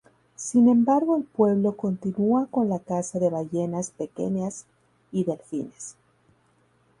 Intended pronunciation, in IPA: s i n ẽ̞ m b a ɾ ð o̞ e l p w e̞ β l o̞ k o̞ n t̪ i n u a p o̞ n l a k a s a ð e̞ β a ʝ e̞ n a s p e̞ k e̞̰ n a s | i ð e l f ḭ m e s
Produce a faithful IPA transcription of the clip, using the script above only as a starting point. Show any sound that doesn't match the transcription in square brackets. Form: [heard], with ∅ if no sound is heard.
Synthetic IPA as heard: s i n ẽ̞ m b a ɾ [ɣ] o̞ e l p w e̞ β l o̞ k o̞ n t̪ i n u a [k] o̞ n l a k a s a ð e̞ β a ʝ e̞ n a s p e̞ k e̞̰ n a s | i ð e l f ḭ [n] e s